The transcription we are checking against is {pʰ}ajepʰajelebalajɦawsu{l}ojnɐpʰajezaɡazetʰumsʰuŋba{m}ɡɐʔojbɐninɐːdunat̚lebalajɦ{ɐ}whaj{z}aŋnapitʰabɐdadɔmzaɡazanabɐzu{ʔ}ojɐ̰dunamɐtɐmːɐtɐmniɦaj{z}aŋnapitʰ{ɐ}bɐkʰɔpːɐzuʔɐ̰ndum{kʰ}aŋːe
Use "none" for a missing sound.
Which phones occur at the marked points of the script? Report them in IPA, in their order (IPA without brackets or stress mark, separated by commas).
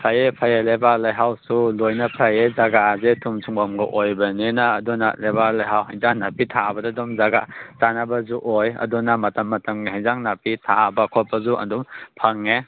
pʰ, l, m, a, z, ʔ, z, a, pʰ